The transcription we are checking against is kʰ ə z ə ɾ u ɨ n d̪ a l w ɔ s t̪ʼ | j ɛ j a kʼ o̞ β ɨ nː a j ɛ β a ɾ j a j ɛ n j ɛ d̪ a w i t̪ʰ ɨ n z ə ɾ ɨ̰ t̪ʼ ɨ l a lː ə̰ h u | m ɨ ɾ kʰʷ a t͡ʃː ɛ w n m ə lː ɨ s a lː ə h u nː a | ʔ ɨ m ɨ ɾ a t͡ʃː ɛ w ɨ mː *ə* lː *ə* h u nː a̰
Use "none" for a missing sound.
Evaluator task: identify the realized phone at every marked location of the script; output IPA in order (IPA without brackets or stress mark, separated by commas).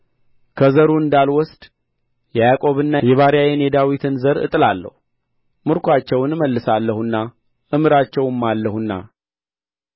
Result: a, ə